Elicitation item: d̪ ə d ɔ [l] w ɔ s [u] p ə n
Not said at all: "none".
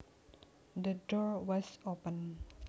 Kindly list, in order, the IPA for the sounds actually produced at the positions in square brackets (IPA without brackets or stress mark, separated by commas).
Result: ɹ, o